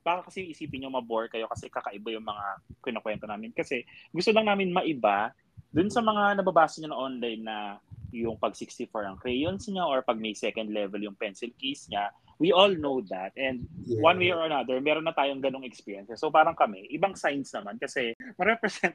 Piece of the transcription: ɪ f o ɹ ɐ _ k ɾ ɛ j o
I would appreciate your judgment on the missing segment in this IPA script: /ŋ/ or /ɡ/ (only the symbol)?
ŋ